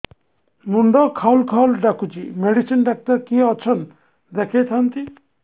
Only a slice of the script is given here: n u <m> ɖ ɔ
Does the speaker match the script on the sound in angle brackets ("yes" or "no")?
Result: no